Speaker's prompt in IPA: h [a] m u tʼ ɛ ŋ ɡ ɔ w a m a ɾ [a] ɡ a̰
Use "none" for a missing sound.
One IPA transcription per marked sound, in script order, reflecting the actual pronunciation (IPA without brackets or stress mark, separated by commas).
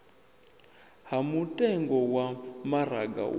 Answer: a, a